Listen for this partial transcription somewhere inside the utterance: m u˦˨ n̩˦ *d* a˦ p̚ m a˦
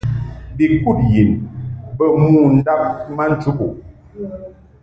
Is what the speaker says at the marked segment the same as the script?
yes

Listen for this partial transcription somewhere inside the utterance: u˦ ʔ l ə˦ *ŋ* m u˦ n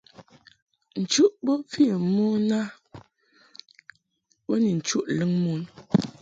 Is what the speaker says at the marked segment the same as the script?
yes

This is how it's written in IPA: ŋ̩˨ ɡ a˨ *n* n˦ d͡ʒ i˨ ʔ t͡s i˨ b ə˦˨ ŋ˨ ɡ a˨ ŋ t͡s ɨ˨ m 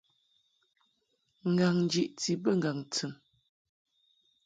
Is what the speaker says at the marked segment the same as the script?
no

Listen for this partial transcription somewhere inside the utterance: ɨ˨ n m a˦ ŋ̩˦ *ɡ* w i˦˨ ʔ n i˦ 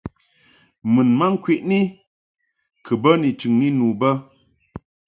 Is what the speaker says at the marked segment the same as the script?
no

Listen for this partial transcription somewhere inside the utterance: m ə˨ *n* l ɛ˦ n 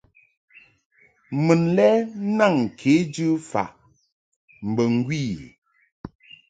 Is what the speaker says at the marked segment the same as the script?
yes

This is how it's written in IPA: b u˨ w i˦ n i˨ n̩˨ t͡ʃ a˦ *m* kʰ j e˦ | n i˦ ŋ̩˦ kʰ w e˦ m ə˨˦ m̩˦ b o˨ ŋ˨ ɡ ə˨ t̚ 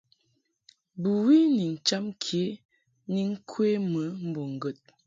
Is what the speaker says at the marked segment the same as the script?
yes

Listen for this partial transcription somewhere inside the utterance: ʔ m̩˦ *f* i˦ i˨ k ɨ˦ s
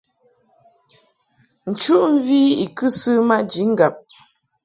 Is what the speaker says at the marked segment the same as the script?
no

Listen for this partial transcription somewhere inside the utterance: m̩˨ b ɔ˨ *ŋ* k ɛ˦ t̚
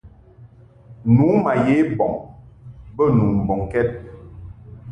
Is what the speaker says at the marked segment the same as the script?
yes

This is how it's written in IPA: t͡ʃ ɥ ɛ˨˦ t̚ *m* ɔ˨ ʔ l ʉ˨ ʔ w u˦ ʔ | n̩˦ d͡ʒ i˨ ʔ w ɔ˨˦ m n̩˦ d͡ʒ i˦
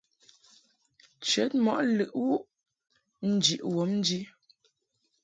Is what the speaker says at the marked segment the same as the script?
yes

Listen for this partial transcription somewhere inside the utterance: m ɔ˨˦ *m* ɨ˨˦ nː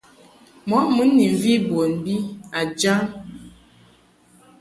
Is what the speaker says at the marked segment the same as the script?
yes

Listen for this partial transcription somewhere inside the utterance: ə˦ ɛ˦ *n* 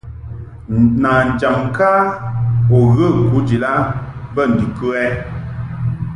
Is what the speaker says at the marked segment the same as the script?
no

